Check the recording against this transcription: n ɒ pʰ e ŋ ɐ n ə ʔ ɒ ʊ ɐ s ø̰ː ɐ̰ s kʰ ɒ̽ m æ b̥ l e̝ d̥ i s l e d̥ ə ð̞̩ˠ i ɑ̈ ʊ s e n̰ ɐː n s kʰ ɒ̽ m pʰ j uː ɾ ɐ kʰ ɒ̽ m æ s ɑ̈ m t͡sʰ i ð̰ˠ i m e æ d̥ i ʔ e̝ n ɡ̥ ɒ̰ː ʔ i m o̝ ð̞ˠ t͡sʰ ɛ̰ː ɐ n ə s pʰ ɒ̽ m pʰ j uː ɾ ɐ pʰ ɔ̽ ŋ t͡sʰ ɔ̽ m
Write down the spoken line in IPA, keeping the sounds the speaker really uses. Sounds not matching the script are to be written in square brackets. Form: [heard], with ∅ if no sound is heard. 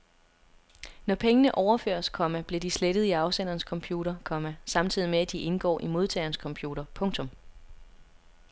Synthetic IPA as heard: n ɒ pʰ e ŋ [ə] n ə ʔ ɒ ʊ ɐ [f] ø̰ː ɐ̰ s kʰ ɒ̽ m æ b̥ l e̝ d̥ i s l e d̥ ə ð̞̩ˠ i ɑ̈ ʊ s e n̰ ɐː n s kʰ ɒ̽ m pʰ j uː ɾ ɐ kʰ ɒ̽ m æ s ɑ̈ m t͡sʰ i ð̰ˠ i m e æ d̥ i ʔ e̝ n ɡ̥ ɒ̰ː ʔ i m o̝ ð̞ˠ t͡sʰ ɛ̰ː ɐ n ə s [kʰ] ɒ̽ m pʰ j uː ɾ ɐ pʰ ɔ̽ ŋ t͡sʰ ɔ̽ m